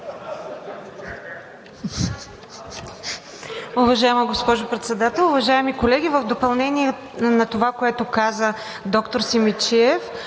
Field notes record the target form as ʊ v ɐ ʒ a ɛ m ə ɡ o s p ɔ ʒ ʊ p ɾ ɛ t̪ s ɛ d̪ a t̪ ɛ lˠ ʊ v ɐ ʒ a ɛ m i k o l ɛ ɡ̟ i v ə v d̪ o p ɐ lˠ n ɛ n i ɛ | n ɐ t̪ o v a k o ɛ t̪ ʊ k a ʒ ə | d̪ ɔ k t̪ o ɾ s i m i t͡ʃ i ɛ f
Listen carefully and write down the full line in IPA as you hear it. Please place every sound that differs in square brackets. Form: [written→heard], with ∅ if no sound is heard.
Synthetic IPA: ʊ v ɐ ʒ a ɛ m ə ɡ o s p ɔ ʒ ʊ p ɾ ɛ t̪ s ɛ d̪ a t̪ ɛ lˠ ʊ v ɐ ʒ a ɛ m i k o l ɛ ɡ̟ i v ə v d̪ o p ɐ lˠ n ɛ n i ɛ | n ɐ t̪ o v a k o ɛ t̪ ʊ k a [ʒ→z] ə | d̪ ɔ k t̪ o ɾ s i m i t͡ʃ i ɛ f